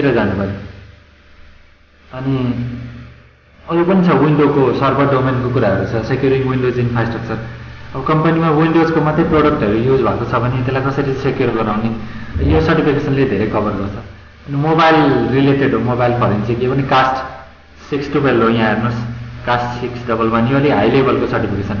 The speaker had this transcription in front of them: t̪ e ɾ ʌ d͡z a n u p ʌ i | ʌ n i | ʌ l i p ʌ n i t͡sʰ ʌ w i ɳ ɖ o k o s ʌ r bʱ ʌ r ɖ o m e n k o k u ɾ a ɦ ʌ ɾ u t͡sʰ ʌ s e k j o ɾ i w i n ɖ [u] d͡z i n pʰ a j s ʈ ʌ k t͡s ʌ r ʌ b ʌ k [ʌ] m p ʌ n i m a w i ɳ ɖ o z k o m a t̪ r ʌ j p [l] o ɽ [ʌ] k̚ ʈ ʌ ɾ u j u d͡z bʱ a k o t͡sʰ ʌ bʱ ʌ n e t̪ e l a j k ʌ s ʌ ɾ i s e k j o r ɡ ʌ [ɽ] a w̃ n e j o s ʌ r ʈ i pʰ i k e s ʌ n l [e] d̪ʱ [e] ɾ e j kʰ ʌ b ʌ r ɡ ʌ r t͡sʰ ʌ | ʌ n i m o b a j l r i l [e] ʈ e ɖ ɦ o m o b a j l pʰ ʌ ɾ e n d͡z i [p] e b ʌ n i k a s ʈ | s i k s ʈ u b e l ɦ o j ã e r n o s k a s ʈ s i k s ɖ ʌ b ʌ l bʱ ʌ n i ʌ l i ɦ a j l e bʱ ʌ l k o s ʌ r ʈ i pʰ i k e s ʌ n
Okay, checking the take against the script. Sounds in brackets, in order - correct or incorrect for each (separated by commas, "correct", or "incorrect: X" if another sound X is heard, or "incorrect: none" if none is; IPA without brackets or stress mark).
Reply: incorrect: o, correct, incorrect: r, correct, incorrect: ɾ, correct, correct, correct, incorrect: k